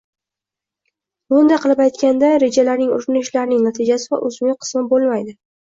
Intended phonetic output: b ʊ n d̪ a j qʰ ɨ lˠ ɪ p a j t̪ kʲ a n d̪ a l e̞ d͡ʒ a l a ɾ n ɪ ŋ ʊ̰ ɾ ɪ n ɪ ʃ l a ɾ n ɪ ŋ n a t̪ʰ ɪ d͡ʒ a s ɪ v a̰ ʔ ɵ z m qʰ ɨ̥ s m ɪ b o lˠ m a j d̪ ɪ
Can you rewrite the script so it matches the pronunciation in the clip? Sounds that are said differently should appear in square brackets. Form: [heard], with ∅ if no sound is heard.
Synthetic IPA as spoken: b ʊ n d̪ a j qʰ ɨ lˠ ɪ p a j t̪ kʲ a n d̪ a [ɾ] e̞ d͡ʒ a l a ɾ n ɪ ŋ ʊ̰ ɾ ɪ n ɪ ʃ l a ɾ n ɪ ŋ n a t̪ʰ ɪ d͡ʒ a s ɪ v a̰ ʔ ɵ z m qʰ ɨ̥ s m ɪ b o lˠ m a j d̪ ɪ